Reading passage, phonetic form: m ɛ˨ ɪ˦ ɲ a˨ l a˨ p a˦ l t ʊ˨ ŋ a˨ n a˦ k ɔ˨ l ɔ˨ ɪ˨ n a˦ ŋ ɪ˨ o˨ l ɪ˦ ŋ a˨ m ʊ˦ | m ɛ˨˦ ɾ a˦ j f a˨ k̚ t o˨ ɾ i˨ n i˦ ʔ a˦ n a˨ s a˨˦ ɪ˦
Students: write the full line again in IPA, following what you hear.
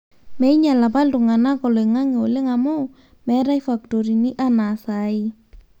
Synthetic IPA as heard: m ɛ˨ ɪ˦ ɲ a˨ l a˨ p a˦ l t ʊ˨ ŋ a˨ n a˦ k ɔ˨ l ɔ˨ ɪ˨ ŋ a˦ ŋ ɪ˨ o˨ l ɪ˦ ŋ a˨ m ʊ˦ | m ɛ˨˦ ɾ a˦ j f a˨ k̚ t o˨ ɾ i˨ n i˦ ʔ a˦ n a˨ s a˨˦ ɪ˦